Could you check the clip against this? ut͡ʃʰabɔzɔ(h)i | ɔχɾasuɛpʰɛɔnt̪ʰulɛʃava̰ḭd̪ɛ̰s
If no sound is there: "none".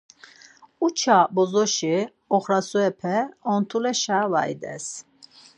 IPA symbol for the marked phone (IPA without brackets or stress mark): ʃ